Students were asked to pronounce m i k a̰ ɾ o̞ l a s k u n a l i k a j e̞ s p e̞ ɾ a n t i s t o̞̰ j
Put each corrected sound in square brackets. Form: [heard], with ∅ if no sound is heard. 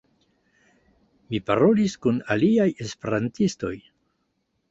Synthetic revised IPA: m i [p] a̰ ɾ o̞ l [i] s k u n a l i [∅] a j e̞ s p e̞ ɾ a n t i s t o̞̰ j